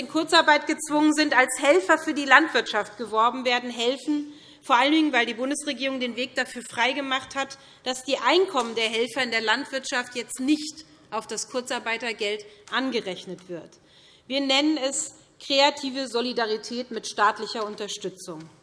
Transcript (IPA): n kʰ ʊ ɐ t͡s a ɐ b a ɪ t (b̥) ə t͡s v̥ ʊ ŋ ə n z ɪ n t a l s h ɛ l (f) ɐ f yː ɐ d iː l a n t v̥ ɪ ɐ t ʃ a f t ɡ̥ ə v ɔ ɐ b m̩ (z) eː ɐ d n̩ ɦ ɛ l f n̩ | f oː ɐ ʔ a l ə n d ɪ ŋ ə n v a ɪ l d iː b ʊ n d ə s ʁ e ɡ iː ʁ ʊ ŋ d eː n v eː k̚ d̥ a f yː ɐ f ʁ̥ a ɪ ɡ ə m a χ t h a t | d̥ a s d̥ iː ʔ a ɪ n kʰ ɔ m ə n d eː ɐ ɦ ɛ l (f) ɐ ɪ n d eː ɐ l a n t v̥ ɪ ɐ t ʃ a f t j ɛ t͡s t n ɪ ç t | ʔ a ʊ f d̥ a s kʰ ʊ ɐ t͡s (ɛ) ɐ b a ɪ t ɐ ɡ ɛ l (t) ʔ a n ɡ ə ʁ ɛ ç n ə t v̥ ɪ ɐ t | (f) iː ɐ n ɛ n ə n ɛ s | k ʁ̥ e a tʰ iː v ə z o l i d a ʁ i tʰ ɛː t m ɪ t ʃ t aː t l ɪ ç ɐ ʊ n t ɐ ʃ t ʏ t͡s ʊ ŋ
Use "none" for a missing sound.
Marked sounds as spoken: ɡ̥, f, v, f, a, t, v

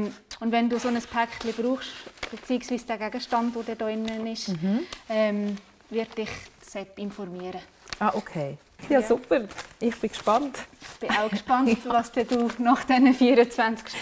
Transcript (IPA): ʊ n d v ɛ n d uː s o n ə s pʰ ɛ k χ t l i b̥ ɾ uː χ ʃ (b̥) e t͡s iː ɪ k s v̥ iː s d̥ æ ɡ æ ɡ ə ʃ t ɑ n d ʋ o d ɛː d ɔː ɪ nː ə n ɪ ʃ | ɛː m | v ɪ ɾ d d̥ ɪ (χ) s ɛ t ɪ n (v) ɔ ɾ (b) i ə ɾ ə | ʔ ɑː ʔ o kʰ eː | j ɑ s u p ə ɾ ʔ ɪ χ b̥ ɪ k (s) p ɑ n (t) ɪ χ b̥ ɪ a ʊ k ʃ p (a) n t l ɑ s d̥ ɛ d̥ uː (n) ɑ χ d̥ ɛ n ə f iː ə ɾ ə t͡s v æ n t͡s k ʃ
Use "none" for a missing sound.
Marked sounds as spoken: b̥, χ, f, m, ʃ, t, ɑ, n

